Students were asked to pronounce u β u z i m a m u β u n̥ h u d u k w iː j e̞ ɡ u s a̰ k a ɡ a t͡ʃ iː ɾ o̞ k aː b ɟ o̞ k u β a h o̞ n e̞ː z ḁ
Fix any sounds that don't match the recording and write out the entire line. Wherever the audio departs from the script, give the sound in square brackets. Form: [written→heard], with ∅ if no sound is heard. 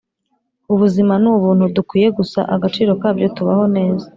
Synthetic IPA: u β u z i m a [m→n] u β [u→uː] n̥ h u d u k w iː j e̞ ɡ u s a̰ [k→ʔ] a ɡ a t͡ʃ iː ɾ o̞ k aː b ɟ o̞ [k→t] u β a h o̞ n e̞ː z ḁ